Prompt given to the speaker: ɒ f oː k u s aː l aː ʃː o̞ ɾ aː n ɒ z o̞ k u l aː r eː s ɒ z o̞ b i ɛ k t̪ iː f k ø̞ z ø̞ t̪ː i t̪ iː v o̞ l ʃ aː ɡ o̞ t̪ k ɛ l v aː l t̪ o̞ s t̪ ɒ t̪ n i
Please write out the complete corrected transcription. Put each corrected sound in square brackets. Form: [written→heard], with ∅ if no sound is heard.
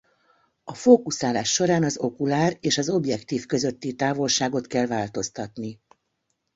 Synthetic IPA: ɒ f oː k u s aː l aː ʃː o̞ ɾ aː n ɒ z o̞ k u l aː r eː [s→ʃ] ɒ z o̞ b [i→j] ɛ k t̪ iː f k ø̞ z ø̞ t̪ː i t̪ [iː→aː] v o̞ l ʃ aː ɡ o̞ t̪ k ɛ l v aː l t̪ o̞ s t̪ ɒ t̪ n i